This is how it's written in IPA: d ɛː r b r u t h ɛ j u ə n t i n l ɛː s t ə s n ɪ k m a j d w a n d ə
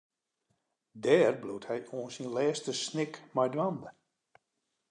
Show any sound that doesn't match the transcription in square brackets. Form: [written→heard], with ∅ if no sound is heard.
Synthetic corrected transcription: d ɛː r b [r→l] u t h ɛ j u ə n [t→s] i n l ɛː s t ə s n ɪ k m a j d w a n d ə